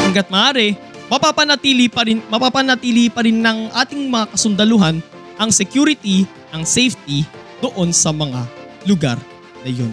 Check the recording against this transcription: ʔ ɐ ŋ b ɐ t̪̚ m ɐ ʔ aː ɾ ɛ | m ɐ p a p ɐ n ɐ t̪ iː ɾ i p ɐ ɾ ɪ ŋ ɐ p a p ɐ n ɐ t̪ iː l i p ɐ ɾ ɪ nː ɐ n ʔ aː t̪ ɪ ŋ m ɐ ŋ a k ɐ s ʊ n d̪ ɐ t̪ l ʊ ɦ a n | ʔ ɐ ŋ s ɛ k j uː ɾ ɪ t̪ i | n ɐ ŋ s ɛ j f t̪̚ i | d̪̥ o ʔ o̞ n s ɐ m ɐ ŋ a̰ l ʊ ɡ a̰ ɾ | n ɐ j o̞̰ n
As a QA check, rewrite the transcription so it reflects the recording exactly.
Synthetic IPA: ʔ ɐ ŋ ɡ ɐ t̪̚ m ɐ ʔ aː ɾ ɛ | m ɐ p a p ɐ n ɐ t̪ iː l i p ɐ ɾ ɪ m ɐ p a p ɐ n ɐ t̪ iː l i p ɐ ɾ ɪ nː ɐ ŋ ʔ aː t̪ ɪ ŋ m ɐ ŋ a k ɐ s ʊ n d̪ ɐ l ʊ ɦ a n | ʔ ɐ ŋ s ɛ k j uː ɾ ɪ t̪ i | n ɐ ŋ s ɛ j f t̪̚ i | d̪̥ o ʔ o̞ n s ɐ m ɐ ŋ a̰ l ʊ ɡ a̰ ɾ | n ɐ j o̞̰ n